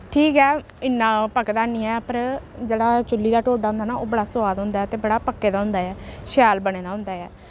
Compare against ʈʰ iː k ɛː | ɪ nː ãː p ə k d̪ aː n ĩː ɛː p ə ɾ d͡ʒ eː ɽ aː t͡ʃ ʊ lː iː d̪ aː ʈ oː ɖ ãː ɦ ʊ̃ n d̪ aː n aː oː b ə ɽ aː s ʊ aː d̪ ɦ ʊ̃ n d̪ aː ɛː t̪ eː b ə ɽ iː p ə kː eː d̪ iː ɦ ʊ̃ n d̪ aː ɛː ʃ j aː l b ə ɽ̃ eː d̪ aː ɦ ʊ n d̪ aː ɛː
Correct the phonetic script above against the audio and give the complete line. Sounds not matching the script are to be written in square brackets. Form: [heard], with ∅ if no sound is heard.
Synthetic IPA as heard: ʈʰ iː k ɛː | ɪ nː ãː p ə k d̪ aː n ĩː ɛː p ə ɾ d͡ʒ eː ɽ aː t͡ʃ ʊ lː iː d̪ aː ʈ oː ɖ [aː] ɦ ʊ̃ n d̪ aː n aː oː b ə ɽ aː s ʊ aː d̪ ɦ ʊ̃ n d̪ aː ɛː t̪ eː b ə ɽ [aː] p ə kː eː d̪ [aː] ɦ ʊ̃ n d̪ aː ɛː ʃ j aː l b ə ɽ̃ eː d̪ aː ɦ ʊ n d̪ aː ɛː

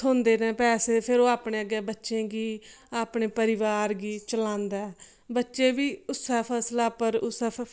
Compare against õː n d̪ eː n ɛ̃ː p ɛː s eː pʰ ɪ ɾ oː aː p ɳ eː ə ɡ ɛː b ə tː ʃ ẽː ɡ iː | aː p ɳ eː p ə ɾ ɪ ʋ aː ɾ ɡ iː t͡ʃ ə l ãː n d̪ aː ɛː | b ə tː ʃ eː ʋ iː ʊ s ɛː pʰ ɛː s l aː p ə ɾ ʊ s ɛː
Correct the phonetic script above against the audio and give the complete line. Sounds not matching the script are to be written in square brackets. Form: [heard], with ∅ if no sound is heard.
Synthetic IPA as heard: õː n d̪ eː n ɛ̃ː p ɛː s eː pʰ ɪ ɾ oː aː p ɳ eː ə ɡ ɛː b ə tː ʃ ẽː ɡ iː | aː p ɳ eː p ə ɾ ɪ ʋ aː ɾ ɡ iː t͡ʃ ə l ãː n d̪ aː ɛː | b ə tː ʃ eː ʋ iː ʊ s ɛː pʰ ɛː s l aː p ə ɾ ʊ s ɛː

